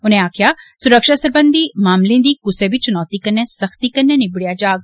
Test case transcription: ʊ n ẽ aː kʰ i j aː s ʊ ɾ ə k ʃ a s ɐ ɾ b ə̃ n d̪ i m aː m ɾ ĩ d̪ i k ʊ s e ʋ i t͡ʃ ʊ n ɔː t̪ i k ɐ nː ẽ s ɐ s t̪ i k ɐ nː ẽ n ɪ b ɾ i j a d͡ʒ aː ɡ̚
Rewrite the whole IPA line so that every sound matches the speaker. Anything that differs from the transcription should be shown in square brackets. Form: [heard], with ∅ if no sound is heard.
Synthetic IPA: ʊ n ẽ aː kʰ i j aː s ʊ ɾ ə k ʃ a s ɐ ɾ b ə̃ n d̪ i m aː m [l] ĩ d̪ i k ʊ s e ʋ i t͡ʃ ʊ n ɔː t̪ i k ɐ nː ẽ s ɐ [x] t̪ i k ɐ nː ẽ n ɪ b [ɽ] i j a d͡ʒ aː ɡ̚

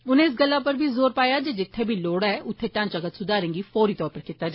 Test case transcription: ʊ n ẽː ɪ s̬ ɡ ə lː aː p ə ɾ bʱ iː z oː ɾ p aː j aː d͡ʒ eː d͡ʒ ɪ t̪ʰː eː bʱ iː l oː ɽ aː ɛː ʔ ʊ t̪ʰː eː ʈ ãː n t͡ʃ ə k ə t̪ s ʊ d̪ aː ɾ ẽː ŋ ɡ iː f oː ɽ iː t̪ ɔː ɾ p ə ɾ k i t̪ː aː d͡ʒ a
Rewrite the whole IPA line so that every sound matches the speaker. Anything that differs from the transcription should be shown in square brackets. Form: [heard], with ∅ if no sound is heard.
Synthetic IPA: ʊ n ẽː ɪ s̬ ɡ ə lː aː p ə ɾ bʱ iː z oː ɾ p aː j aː d͡ʒ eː d͡ʒ ɪ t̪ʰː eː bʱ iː l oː ɽ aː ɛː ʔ ʊ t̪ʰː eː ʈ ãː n t͡ʃ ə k ə t̪ s ʊ d̪ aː ɾ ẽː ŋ ɡ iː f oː [ɾ] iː t̪ ɔː ɾ p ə ɾ k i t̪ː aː d͡ʒ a

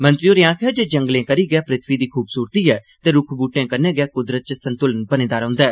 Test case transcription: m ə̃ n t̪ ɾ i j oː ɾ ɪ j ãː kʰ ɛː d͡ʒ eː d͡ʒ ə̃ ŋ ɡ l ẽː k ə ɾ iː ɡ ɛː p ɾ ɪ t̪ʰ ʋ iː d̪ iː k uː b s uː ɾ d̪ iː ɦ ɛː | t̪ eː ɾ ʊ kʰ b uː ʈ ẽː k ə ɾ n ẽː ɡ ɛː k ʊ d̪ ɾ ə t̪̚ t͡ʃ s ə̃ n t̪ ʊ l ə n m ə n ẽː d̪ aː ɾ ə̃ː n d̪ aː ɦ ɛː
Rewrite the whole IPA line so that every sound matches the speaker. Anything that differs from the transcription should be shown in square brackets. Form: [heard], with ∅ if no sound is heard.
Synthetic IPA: m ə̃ n t̪ ɾ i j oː ɾ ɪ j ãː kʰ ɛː d͡ʒ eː d͡ʒ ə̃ ŋ ɡ l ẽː k ə ɾ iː ɡ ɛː p ɾ ɪ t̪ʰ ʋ iː d̪ iː [kʰ] uː b s uː ɾ [t̪] iː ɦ ɛː | t̪ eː ɾ ʊ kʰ b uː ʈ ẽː k ə ɾ n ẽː ɡ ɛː k ʊ d̪ ɾ ə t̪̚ t͡ʃ s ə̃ n t̪ ʊ l ə n [b] ə n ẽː d̪ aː ɾ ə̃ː n d̪ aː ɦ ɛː

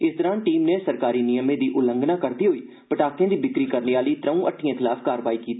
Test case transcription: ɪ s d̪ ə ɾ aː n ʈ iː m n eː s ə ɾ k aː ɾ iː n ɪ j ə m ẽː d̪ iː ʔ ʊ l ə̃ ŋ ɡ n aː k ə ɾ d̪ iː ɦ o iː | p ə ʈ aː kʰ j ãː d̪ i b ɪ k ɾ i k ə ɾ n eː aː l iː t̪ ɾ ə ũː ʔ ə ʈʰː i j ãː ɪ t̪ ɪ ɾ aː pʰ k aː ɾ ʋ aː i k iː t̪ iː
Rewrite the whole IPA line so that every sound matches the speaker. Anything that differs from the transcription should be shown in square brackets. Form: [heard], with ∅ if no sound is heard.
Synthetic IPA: ɪ s d̪ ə ɾ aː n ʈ iː m n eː s ə ɾ k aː ɾ iː n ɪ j ə m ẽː d̪ iː ʔ ʊ l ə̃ ŋ ɡ n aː k ə ɾ d̪ iː ɦ o iː | p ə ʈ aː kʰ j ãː d̪ [iː] b ɪ k ɾ [iː] k ə ɾ n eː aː l iː t̪ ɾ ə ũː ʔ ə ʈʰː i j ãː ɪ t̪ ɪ [l] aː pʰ k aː ɾ ʋ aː i k iː t̪ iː

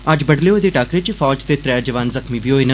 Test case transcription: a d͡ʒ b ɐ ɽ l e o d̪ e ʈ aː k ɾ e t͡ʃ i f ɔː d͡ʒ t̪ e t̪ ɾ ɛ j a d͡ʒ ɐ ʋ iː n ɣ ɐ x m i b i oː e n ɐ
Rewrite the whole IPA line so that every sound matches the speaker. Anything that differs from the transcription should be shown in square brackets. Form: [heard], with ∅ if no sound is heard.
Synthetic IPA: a d͡ʒ b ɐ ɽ l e o d̪ e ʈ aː k ɾ e t͡ʃ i f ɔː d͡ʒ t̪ e t̪ ɾ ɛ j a d͡ʒ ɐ ʋ [aː] n [z] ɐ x m i b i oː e n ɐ

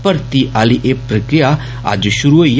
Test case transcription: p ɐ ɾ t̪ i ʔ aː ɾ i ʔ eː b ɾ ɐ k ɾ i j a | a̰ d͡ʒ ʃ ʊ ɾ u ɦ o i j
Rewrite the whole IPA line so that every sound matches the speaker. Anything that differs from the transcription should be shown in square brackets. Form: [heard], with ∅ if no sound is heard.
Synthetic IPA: p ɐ ɾ t̪ i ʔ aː [l] i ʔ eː [p] ɾ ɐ k ɾ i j a | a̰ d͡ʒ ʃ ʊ ɾ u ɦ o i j

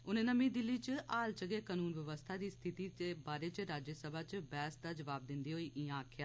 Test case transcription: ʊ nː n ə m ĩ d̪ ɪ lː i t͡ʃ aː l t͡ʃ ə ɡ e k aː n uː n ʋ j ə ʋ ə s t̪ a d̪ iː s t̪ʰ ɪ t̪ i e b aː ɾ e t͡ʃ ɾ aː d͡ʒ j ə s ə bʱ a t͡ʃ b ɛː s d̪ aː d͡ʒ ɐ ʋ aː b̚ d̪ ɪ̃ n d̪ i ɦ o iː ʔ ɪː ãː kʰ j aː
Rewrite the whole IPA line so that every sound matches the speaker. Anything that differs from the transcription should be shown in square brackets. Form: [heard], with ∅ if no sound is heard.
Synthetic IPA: ʊ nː n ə m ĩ d̪ ɪ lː i t͡ʃ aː l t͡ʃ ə ɡ e k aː n uː n ʋ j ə ʋ ə s [t̪ʰ] a d̪ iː s t̪ʰ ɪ t̪ i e b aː ɾ e t͡ʃ ɾ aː d͡ʒ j ə s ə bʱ a t͡ʃ b ɛː s d̪ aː d͡ʒ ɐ ʋ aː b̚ d̪ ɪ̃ n d̪ i ɦ o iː ʔ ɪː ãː kʰ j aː

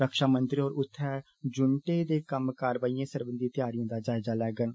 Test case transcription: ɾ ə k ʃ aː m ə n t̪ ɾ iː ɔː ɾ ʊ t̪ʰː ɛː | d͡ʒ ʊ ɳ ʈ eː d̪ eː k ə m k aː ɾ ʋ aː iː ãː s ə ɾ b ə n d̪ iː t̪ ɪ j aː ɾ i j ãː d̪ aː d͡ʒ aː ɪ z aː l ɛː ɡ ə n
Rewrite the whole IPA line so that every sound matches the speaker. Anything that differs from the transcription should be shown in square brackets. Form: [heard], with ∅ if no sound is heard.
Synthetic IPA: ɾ ə k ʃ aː m ə n t̪ ɾ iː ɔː ɾ ʊ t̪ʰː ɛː | d͡ʒ ʊ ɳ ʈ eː d̪ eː k ə m k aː ɾ ʋ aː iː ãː s ə ɾ b ə n d̪ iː t̪ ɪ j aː ɾ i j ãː d̪ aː d͡ʒ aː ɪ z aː l ɛː ɡ ə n

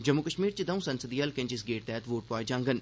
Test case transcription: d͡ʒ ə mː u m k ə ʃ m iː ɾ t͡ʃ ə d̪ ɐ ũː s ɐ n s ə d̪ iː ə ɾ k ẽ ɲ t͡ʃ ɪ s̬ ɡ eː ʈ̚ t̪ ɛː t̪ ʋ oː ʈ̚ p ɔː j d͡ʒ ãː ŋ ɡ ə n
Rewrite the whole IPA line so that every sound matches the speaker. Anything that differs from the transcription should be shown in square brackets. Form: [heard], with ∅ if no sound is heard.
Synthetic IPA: d͡ʒ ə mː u [∅] k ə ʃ m iː ɾ t͡ʃ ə d̪ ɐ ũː s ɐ n s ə d̪ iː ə [l] k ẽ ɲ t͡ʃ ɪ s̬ ɡ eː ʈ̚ t̪ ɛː t̪ ʋ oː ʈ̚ p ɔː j d͡ʒ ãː ŋ ɡ ə n

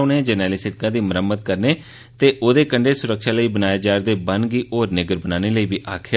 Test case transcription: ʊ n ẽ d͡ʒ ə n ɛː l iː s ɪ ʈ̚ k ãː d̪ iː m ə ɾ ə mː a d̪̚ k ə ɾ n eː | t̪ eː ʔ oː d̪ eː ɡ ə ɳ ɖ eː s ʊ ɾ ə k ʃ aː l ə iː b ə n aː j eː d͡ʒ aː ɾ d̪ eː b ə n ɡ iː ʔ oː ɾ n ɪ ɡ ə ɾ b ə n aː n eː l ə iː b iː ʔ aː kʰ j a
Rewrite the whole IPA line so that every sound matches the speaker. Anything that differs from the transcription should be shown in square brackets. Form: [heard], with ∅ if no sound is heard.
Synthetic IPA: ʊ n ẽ d͡ʒ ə n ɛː l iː s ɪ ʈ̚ k ãː d̪ iː m ə ɾ ə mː [ə] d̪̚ k ə ɾ n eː | t̪ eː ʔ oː d̪ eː [k] ə ɳ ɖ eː s ʊ ɾ ə k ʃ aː l ə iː b ə n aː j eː d͡ʒ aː ɾ d̪ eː b ə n ɡ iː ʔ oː ɾ n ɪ ɡ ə ɾ b ə n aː n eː l ə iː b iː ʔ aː kʰ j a

